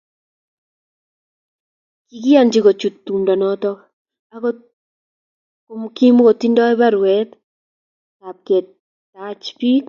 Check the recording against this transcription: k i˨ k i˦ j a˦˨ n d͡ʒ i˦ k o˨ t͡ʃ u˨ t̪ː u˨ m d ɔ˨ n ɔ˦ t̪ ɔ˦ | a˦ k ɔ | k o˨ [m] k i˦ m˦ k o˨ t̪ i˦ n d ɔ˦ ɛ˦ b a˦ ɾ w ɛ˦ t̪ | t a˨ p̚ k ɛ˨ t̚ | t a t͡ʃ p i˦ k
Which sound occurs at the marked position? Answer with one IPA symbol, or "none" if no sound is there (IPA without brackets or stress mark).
m